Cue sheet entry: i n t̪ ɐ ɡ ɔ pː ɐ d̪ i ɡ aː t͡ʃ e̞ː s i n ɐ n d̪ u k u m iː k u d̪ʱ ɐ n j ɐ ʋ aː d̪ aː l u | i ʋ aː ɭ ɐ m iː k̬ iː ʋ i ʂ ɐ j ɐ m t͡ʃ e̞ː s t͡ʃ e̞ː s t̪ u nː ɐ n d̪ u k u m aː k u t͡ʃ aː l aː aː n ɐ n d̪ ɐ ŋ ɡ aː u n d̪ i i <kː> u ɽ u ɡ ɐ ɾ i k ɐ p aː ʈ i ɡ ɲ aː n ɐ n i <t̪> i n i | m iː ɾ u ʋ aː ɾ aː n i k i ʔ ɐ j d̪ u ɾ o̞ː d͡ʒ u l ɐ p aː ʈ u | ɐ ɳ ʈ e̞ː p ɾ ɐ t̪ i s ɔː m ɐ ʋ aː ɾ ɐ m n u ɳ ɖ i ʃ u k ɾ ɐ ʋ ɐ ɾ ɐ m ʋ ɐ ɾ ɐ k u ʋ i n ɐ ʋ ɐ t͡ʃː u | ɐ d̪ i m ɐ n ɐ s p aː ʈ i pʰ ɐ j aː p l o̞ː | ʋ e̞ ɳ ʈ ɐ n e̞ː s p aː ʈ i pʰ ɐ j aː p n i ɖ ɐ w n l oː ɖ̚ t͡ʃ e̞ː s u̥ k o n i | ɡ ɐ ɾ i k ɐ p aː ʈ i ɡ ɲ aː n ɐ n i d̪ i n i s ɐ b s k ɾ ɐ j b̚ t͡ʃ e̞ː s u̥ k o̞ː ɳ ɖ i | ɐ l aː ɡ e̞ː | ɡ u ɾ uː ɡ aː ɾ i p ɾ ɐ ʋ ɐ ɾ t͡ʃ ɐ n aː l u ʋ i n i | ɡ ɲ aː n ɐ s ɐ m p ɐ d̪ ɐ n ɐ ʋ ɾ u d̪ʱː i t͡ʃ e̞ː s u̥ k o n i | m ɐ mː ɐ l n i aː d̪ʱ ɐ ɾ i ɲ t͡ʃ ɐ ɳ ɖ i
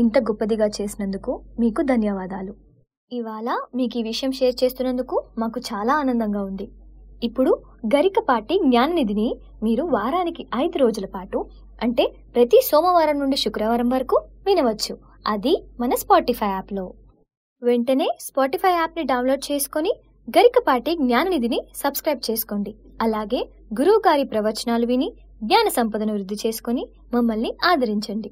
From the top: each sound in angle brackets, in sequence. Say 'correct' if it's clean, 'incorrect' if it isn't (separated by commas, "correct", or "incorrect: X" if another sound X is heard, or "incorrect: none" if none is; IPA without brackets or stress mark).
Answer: incorrect: pː, incorrect: d̪